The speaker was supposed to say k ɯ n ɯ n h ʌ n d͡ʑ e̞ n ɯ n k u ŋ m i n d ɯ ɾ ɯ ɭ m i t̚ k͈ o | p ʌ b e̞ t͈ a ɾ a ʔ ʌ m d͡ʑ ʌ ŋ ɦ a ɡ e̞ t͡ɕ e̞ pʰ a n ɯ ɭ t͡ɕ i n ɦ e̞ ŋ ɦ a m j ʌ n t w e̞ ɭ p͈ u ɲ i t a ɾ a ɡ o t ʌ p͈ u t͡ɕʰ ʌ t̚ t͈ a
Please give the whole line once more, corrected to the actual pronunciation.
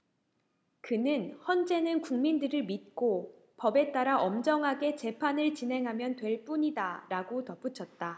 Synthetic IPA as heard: k ɯ n ɯ n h ʌ n d͡ʑ e̞ n ɯ n k u ŋ m i n d ɯ ɾ ɯ ɭ m i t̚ k͈ o | p ʌ b e̞ t͈ a ɾ a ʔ ʌ m d͡ʑ ʌ ŋ ɦ a ɡ e̞ t͡ɕ e̞ pʰ a n ɯ ɭ t͡ɕ i n ɦ e̞ ŋ ɦ a m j ʌ n t w e̞ ɭ p͈ u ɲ i d a ɾ a ɡ o t ʌ p͈ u t͡ɕʰ ʌ t̚ t͈ a